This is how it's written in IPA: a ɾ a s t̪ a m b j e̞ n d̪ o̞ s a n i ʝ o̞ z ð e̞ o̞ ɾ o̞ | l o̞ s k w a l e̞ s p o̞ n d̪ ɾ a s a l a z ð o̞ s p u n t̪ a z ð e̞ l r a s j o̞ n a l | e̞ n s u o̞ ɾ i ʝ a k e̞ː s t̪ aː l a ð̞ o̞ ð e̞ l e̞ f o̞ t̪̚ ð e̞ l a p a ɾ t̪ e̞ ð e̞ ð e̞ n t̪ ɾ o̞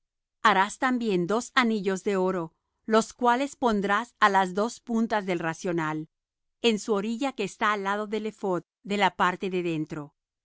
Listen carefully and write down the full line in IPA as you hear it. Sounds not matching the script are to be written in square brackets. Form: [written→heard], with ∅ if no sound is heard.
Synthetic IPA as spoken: a ɾ a s t̪ a m b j e̞ n d̪ o̞ s a n i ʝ o̞ z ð e̞ o̞ ɾ o̞ | l o̞ s k w a l e̞ s p o̞ n d̪ ɾ a s a l a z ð o̞ s p u n t̪ a z ð e̞ l r a s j o̞ n a l | e̞ n s u o̞ ɾ i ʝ a k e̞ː s t̪ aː l a ð̞ o̞ ð e̞ l e̞ f o̞ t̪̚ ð e̞ l a p a ɾ t̪ e̞ ð e̞ ð e̞ n t̪ ɾ o̞